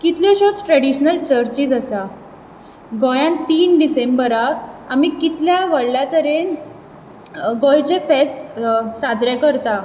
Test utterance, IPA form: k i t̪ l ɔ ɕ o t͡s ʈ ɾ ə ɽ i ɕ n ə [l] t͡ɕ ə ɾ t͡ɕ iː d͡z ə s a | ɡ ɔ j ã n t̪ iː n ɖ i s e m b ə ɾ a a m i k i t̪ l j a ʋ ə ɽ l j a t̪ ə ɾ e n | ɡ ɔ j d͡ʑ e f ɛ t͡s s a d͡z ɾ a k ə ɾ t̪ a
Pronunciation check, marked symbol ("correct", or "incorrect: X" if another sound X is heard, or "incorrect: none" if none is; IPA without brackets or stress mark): correct